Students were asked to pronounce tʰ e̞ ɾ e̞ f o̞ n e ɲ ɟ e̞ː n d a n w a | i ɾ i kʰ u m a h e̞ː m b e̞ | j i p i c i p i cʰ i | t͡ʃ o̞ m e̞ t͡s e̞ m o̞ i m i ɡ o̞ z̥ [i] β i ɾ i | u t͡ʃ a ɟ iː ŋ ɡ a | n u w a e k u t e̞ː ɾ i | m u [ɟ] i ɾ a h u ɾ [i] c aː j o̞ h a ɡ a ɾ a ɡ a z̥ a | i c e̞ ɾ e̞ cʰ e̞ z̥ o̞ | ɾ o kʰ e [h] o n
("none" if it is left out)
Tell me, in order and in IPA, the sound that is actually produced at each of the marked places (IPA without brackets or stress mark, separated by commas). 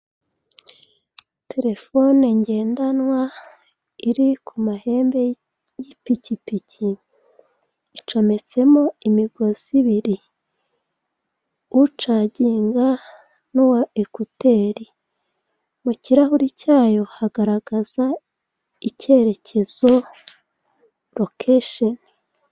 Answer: i, c, i, ʃ